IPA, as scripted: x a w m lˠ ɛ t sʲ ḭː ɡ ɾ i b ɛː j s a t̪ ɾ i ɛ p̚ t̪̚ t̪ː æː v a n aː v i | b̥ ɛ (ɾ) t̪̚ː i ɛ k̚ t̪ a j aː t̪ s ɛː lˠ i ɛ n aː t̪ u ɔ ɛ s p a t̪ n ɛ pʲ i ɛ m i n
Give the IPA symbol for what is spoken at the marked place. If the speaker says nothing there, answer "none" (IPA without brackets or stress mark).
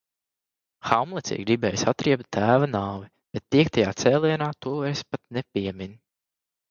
none